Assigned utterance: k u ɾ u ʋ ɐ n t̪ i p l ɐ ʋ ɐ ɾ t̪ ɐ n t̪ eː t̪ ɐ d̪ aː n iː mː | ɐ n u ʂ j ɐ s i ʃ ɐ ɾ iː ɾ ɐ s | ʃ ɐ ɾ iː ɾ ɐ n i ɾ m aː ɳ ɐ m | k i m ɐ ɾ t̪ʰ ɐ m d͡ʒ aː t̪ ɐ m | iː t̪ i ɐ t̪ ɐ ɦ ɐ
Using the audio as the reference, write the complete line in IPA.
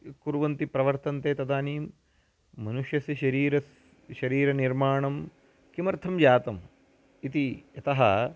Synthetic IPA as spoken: k u ɾ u ʋ ɐ n t̪ i p ɾ ɐ ʋ ɐ ɾ t̪ ɐ n t̪ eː t̪ ɐ d̪ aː n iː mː | ɐ n u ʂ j ɐ s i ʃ ɐ ɾ iː ɾ ɐ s | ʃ ɐ ɾ iː ɾ ɐ n i ɾ m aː ɳ ɐ m | k i m ɐ ɾ t̪ʰ ɐ m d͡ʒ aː t̪ ɐ m | i t̪ i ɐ t̪ ɐ ɦ ɐ